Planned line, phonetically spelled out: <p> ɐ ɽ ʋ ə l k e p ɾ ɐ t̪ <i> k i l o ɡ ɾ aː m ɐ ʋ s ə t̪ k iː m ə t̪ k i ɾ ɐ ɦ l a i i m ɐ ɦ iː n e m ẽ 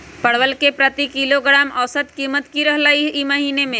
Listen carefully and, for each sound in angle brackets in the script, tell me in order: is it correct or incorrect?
correct, correct

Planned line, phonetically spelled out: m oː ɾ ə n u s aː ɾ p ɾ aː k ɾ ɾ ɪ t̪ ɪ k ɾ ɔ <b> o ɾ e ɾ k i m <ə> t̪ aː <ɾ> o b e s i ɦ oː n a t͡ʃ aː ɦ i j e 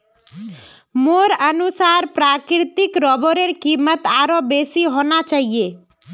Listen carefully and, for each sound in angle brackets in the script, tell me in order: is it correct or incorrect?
correct, correct, correct

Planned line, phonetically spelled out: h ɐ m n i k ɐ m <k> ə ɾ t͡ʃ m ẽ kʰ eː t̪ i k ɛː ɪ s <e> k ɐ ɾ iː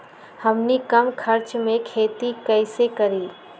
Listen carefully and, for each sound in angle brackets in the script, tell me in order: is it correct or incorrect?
incorrect: kʰ, correct

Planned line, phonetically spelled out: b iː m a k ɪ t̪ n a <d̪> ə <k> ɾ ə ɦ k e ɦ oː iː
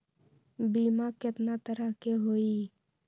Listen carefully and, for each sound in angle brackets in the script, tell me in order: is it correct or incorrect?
incorrect: t̪, incorrect: none

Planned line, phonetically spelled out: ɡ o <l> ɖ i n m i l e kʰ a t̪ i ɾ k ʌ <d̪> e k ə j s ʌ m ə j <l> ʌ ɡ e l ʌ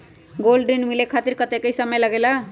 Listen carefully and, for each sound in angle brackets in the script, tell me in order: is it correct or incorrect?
correct, incorrect: t̪, correct

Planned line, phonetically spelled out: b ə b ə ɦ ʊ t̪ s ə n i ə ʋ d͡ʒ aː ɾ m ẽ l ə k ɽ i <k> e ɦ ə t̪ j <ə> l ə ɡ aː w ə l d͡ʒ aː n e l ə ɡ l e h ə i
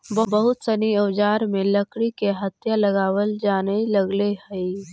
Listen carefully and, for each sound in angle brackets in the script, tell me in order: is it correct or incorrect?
correct, incorrect: a

